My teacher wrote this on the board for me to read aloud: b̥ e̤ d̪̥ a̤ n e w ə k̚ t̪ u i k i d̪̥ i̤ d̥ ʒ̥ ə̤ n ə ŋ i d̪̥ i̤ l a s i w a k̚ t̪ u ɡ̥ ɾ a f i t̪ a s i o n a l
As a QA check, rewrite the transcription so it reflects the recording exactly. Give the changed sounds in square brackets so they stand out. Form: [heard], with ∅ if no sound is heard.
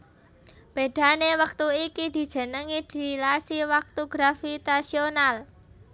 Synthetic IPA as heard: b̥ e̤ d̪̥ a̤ n e w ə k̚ t̪ u i k i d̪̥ i̤ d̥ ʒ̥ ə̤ n ə ŋ i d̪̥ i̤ l a s i w a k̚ t̪ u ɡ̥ ɾ a f i t̪ a s i o n a l